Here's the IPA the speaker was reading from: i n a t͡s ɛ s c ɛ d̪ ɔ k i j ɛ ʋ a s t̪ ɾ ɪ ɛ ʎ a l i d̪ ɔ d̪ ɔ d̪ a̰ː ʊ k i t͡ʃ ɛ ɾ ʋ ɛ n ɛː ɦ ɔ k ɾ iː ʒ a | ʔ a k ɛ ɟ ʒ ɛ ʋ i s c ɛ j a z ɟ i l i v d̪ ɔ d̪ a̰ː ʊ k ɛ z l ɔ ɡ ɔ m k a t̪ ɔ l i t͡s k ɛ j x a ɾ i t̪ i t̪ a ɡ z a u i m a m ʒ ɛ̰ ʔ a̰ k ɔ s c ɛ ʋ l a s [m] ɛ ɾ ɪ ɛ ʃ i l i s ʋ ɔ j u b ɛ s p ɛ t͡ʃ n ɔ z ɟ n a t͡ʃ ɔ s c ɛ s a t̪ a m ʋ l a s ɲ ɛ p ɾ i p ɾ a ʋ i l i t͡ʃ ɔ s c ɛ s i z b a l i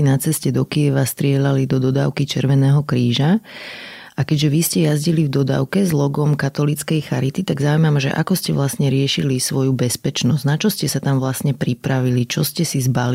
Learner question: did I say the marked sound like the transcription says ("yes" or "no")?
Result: no